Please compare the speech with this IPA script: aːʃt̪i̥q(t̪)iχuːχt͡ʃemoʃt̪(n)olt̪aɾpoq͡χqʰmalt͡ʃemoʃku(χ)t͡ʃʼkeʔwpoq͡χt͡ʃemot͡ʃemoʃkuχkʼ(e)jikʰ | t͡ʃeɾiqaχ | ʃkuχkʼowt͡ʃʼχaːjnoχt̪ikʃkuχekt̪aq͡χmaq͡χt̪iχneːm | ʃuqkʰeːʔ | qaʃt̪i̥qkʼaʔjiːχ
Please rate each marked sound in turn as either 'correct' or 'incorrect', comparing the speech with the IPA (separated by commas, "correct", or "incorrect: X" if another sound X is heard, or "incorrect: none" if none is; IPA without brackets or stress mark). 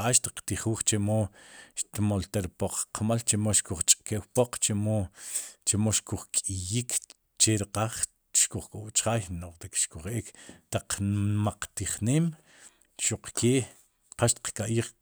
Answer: correct, incorrect: m, correct, incorrect: i